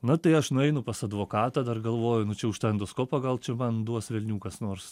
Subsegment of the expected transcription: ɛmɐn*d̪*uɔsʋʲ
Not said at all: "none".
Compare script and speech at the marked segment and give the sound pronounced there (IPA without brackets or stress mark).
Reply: d̪